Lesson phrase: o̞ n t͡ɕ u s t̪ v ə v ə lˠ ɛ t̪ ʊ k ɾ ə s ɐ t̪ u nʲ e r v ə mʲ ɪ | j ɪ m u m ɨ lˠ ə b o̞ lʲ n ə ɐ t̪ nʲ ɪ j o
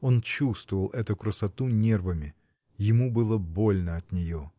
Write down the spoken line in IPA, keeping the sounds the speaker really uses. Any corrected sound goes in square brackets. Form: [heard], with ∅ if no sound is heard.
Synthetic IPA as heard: o̞ n t͡ɕ u s t̪ v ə v ə lˠ ɛ t̪ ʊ k ɾ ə s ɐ t̪ u nʲ e r v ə mʲ ɪ | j ɪ m u [b] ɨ lˠ ə b o̞ lʲ n ə ɐ t̪ nʲ ɪ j o